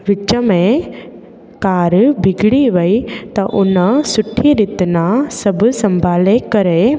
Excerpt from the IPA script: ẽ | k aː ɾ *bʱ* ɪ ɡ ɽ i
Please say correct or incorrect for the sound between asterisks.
correct